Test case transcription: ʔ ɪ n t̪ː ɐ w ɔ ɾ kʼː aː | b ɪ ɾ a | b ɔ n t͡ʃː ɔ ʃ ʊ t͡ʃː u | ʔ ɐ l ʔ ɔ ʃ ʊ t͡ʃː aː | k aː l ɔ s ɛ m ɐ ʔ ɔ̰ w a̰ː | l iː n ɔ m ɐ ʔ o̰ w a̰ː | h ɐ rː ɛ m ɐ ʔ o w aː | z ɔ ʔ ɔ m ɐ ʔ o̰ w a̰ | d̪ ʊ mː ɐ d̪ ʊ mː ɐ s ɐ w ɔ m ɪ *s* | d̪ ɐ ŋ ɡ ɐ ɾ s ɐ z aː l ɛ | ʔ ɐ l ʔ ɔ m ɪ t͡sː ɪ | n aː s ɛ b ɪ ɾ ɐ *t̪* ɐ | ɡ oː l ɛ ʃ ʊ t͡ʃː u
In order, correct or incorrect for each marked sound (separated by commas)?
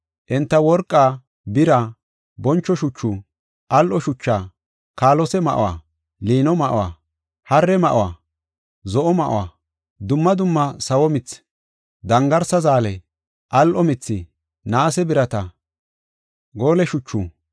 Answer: incorrect, correct